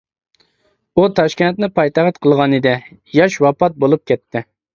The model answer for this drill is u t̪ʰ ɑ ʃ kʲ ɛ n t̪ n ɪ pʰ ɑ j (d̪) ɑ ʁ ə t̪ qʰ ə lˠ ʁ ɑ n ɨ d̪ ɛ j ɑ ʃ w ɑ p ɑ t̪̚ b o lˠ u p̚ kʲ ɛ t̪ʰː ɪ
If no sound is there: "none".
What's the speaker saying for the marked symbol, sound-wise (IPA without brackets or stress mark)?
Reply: t̪